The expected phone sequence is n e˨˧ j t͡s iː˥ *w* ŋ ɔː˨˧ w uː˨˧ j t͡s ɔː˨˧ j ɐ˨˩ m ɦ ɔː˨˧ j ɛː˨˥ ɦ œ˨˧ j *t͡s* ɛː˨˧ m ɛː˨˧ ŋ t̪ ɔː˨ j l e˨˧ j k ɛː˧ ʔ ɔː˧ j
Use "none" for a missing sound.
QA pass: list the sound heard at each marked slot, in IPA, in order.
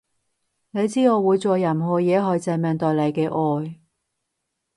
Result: none, t͡s

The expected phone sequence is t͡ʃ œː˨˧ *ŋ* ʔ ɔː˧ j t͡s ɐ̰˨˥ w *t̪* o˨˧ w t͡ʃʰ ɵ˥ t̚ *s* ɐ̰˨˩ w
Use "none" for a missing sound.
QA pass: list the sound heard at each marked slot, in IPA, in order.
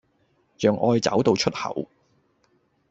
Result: ŋ, t̪, h

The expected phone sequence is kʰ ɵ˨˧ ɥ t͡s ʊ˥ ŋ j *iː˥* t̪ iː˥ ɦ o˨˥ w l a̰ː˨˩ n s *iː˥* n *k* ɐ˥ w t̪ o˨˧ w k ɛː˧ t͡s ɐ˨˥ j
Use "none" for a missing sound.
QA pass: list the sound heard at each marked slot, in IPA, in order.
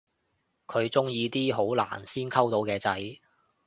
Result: iː˧, iː˥, kʰ

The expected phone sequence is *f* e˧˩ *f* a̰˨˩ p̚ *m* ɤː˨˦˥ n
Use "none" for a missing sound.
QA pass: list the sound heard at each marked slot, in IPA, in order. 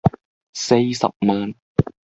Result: s, s, m

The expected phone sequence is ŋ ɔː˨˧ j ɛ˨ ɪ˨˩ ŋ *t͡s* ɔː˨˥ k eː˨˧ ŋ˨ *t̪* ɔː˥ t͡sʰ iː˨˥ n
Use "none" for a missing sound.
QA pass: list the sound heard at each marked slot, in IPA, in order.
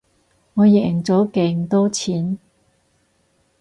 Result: t͡s, t̪

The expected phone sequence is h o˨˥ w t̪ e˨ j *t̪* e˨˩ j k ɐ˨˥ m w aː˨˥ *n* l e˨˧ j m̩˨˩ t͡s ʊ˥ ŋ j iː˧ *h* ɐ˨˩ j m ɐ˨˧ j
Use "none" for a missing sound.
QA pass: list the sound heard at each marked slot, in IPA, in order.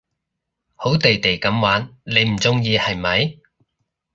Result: t̪, n, h

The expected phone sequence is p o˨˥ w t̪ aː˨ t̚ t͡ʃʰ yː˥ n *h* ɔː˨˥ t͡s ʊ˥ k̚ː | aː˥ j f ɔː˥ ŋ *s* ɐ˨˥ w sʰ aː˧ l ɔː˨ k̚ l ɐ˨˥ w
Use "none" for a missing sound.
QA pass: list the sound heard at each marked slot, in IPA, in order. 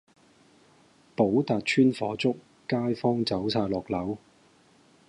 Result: f, t͡s

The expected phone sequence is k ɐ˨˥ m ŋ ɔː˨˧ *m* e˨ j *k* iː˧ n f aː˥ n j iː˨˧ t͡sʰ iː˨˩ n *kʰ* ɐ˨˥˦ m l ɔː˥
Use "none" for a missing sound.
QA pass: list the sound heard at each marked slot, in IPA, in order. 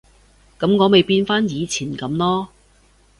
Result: m, p, k

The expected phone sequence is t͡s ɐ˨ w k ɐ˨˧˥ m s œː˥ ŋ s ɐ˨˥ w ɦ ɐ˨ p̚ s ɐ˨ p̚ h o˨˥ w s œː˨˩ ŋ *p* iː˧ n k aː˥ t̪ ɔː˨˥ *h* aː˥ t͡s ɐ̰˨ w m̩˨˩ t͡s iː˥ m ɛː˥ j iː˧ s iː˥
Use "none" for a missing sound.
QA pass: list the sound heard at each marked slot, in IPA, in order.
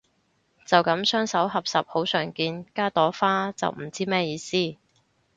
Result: k, f

